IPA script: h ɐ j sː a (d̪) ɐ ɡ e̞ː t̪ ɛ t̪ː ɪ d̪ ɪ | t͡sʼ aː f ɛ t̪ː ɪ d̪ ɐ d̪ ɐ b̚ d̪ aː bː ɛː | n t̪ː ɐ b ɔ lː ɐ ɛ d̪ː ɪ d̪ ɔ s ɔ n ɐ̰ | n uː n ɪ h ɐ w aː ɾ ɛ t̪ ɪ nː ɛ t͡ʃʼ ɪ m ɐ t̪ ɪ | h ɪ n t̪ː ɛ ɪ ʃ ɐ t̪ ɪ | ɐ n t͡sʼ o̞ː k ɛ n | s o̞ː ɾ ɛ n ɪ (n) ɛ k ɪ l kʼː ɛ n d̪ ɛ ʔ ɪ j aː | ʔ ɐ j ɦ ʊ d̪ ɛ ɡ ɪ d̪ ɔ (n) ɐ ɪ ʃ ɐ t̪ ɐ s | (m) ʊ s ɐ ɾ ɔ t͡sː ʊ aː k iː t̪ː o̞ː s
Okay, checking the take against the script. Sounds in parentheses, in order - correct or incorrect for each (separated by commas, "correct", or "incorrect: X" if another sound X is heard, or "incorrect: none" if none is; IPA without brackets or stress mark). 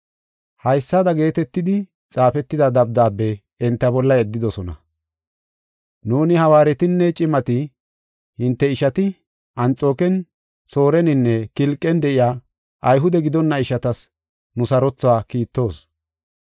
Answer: correct, incorrect: nː, incorrect: nː, incorrect: n